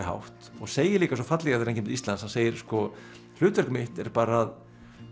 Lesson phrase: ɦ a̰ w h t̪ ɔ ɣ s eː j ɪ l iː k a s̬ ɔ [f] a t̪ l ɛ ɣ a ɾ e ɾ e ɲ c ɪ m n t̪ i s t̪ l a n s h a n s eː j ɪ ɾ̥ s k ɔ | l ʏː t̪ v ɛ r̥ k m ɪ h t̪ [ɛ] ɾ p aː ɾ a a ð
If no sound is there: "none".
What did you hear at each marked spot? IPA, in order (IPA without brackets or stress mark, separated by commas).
f, ɛ